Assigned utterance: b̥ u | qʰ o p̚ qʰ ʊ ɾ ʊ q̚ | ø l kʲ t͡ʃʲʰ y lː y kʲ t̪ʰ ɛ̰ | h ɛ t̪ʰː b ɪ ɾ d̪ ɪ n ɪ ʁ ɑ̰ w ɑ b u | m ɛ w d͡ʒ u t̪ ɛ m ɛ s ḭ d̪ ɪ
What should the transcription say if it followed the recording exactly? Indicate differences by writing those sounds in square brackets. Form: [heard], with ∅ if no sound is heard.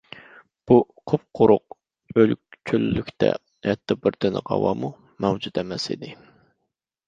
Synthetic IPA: b̥ u | qʰ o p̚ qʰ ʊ ɾ ʊ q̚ | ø l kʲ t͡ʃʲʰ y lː y kʲ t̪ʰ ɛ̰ | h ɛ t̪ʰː b ɪ ɾ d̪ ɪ n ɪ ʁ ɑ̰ w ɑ [m] u | m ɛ w d͡ʒ u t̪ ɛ m ɛ s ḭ d̪ ɪ